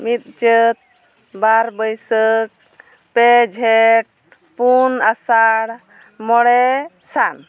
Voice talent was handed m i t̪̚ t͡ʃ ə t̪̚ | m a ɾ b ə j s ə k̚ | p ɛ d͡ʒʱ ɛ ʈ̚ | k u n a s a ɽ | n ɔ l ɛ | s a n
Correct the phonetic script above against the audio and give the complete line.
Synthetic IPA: m i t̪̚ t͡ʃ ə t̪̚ | b a ɾ b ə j s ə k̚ | p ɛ d͡ʒʱ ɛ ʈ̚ | p u n a s a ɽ | m ɔ ɽ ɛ | s a n